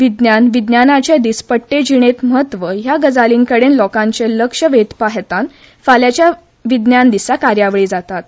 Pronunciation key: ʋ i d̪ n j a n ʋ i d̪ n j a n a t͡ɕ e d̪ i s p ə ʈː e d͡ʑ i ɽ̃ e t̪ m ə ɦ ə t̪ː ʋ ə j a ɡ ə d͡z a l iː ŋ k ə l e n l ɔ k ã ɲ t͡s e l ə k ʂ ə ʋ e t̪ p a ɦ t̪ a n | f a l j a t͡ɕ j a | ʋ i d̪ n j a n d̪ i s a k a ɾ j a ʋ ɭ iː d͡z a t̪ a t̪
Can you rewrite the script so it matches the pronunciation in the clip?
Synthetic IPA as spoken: ʋ i d̪ n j a n ʋ i d̪ n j a n a t͡ɕ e d̪ i s p ə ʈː e d͡ʑ i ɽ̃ e t̪ m ə ɦ ə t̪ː ʋ ə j a ɡ ə d͡z a l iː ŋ k ə ɽ e n l ɔ k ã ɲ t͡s e l ə k ʂ ə ʋ e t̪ p a ɦ t̪ a n | f a l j a t͡ɕ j a | ʋ i d̪ n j a n d̪ i s a k a ɾ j a ʋ ɭ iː d͡z a t̪ a t̪